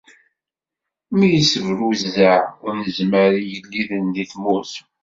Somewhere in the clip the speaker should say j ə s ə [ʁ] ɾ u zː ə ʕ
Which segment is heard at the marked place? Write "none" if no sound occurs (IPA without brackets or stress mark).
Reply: v